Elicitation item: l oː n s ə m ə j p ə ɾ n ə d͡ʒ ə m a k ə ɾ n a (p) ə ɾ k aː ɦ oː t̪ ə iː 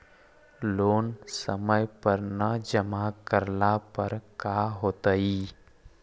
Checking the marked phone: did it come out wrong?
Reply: no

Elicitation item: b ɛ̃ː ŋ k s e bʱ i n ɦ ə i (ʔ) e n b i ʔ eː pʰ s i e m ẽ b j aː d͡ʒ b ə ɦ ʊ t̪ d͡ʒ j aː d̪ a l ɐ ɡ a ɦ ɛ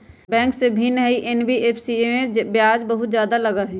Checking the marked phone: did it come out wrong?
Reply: no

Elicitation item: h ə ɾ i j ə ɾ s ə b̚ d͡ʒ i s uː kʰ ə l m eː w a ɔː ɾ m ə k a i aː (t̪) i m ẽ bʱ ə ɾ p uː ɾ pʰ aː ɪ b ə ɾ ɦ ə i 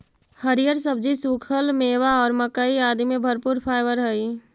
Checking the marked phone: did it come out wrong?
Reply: yes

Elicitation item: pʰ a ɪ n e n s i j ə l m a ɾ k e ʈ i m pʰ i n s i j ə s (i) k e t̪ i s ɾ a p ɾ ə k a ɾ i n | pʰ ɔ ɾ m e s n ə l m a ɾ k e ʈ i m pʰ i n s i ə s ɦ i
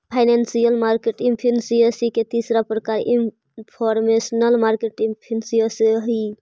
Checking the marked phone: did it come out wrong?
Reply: no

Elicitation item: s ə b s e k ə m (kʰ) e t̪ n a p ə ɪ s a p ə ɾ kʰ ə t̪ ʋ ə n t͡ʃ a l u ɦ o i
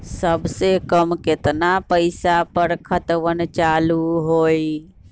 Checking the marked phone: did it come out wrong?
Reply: yes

